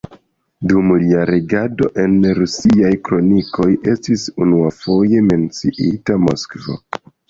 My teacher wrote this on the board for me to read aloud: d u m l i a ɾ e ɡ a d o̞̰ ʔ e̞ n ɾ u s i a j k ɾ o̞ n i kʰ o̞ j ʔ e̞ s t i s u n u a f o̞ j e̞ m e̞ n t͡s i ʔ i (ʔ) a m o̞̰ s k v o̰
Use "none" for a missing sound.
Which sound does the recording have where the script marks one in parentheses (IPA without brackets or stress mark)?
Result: t